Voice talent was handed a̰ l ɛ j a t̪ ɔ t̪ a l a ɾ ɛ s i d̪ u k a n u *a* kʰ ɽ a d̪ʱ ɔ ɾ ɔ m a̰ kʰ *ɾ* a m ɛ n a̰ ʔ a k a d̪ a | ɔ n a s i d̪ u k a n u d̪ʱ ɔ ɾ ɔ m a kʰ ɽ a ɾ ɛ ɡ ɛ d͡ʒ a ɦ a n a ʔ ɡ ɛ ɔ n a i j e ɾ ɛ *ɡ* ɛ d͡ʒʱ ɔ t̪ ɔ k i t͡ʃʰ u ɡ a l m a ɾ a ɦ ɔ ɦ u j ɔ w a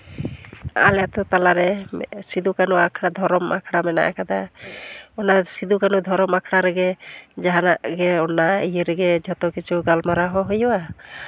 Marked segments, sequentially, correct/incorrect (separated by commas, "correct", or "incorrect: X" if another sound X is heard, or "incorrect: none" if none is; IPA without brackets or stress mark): correct, incorrect: ɽ, correct